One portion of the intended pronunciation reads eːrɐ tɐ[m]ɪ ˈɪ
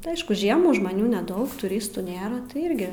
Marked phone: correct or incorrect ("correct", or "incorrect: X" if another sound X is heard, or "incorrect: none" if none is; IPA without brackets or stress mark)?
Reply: incorrect: none